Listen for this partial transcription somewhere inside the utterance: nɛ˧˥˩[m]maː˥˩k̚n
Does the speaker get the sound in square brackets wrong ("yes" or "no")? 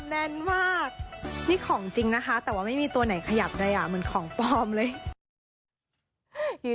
yes